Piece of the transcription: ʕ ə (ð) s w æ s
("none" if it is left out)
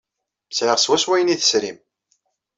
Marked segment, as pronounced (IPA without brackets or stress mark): ʁ